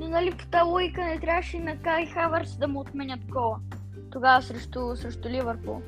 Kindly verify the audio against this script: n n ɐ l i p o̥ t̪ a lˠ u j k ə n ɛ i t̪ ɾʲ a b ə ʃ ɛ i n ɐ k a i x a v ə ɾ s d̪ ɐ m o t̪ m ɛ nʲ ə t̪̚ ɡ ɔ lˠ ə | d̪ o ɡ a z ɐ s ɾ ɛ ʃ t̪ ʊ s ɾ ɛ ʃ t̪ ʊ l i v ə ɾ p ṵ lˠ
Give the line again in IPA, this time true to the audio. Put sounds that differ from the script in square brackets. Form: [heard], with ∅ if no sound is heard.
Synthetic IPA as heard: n n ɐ l i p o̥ t̪ a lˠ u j k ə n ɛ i t̪ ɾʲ a [v] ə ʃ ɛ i n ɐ k a i x a v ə ɾ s d̪ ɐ m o t̪ m ɛ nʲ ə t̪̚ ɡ ɔ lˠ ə | [t̪] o ɡ a [v] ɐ s ɾ ɛ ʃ t̪ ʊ s ɾ ɛ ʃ t̪ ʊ l i v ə ɾ p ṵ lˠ